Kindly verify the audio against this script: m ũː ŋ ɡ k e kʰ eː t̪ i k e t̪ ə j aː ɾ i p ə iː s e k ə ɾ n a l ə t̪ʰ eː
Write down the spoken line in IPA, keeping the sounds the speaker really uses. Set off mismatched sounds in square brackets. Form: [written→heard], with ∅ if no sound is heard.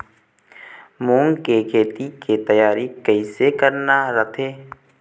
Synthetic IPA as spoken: m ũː ŋ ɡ k e kʰ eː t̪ i k e t̪ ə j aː ɾ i [p→k] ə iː s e k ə ɾ n a [l→ɾ] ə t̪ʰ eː